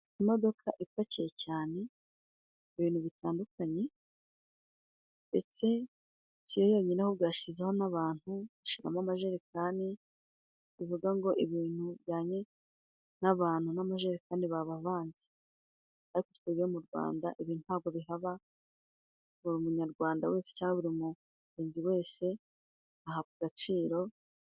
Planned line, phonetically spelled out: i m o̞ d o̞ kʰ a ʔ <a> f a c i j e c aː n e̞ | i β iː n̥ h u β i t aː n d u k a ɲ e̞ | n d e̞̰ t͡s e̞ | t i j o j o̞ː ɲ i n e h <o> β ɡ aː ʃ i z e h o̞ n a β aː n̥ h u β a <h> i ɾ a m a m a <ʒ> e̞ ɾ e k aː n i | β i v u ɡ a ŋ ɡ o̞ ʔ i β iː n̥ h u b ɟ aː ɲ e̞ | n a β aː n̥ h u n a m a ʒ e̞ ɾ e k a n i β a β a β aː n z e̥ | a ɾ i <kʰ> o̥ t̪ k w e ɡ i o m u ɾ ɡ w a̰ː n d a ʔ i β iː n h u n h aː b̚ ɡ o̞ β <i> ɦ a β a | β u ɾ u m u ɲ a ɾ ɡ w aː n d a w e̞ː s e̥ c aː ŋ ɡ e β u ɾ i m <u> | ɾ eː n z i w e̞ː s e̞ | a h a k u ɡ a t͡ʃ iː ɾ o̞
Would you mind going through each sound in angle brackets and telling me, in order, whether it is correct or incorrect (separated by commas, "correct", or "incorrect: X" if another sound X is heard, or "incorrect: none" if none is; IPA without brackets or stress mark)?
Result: incorrect: i, correct, incorrect: ʃ, correct, incorrect: k, correct, correct